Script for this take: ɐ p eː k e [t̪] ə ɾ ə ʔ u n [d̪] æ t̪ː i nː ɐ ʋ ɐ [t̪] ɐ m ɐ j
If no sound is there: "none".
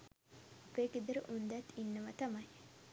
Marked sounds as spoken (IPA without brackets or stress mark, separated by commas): d̪, d̪, t̪